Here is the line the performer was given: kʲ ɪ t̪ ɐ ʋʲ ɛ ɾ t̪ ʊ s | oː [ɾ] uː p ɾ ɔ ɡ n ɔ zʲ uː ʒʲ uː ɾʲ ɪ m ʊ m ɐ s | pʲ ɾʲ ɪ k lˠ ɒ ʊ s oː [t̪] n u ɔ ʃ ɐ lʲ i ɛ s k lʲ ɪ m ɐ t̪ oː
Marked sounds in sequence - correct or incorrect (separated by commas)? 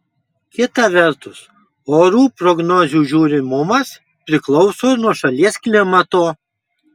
correct, incorrect